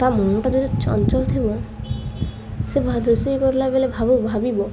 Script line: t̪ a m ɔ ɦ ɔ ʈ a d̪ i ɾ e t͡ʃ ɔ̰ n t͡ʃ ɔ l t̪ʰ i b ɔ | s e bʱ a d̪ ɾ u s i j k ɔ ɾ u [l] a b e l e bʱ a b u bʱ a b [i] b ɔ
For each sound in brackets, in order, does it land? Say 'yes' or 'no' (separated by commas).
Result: yes, yes